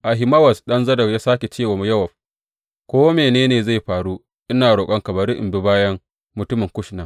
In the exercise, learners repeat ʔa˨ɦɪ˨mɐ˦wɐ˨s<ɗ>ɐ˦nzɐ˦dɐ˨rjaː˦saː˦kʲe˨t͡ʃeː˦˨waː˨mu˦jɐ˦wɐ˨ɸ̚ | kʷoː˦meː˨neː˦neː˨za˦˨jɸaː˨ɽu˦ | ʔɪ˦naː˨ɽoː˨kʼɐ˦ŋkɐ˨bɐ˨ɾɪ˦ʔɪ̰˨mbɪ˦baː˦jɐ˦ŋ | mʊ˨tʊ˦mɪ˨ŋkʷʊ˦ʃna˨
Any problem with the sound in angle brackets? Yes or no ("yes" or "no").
no